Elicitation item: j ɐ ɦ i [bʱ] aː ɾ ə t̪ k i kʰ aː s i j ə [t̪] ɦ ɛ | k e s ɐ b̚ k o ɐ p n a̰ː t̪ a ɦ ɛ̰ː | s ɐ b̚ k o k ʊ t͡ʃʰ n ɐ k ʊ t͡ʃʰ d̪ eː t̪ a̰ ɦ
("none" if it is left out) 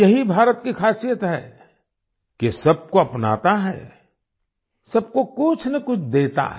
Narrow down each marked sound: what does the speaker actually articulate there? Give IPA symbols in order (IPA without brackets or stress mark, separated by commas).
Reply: bʱ, t̪